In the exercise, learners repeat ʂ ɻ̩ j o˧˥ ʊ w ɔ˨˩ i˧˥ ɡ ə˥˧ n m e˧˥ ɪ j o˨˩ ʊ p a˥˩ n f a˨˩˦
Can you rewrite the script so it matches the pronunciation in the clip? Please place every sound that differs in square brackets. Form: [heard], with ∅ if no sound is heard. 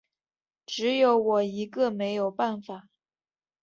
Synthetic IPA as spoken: [ʈ͡ʂ] ɻ̩ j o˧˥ ʊ w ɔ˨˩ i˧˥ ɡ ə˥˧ [∅] m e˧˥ ɪ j o˨˩ ʊ p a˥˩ n f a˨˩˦